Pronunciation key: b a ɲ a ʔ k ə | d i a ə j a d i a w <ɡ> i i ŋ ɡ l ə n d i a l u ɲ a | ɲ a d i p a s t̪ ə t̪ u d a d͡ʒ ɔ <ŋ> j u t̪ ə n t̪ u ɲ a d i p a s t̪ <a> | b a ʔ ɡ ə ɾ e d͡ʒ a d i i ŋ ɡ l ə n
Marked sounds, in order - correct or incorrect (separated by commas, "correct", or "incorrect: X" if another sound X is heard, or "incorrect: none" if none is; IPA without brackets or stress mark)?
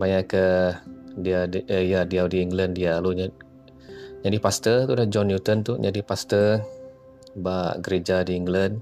incorrect: d, incorrect: n, incorrect: ə